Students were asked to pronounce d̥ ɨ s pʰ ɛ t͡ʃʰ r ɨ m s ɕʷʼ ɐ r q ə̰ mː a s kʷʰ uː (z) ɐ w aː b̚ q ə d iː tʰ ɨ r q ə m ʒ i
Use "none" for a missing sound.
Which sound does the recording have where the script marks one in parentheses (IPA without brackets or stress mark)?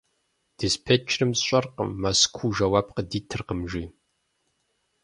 ʒ